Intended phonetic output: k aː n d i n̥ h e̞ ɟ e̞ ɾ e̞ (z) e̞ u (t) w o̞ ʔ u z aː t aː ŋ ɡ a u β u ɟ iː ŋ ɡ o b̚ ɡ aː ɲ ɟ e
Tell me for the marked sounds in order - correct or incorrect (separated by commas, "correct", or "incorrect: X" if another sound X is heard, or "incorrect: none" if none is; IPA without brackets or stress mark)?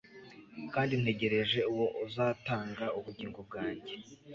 incorrect: ʒ, incorrect: none